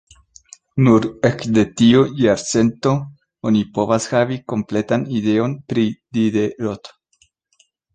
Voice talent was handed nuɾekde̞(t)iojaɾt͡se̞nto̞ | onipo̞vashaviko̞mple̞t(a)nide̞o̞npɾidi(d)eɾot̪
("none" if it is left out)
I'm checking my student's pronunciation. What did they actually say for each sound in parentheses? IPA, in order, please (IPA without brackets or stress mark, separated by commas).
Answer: t, a, d